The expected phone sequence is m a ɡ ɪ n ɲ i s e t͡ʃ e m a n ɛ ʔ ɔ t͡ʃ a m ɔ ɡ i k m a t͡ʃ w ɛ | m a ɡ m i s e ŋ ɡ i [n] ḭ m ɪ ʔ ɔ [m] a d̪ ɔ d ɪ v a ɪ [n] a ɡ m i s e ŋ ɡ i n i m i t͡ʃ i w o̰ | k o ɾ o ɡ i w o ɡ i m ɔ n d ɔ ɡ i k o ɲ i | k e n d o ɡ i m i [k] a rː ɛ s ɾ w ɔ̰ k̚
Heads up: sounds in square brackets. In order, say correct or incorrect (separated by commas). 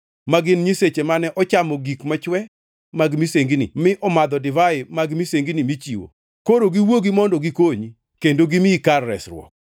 correct, correct, incorrect, correct